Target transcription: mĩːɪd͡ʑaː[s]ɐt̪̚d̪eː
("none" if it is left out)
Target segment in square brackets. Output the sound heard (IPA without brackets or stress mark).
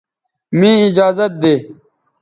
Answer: z